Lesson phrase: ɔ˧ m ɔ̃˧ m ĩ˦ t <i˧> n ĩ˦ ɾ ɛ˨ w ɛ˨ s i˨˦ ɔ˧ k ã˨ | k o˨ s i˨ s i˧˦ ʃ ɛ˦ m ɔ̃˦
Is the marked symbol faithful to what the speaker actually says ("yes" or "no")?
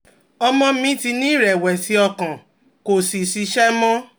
yes